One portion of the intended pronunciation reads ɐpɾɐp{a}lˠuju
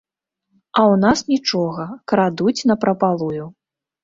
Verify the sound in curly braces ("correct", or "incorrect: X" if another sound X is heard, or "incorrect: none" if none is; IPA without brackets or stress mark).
correct